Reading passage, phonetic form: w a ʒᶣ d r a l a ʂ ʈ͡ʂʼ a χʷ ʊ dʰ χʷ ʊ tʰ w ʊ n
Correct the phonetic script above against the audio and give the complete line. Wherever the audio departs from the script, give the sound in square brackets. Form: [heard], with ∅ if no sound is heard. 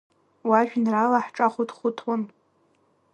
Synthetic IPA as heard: w a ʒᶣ [n] r a l a [ħ] ʈ͡ʂʼ a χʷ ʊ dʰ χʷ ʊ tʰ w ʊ n